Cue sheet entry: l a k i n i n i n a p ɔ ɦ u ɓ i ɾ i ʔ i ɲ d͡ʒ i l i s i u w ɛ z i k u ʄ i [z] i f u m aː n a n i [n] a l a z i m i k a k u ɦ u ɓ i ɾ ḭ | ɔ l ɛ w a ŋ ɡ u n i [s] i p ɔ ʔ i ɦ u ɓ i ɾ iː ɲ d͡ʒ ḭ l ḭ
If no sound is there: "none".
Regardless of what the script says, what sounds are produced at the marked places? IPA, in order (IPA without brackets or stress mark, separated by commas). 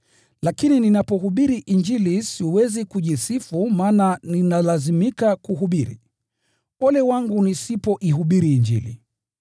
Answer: s, n, s